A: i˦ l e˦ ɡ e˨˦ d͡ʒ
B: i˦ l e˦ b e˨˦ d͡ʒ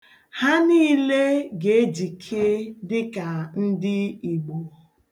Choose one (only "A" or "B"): A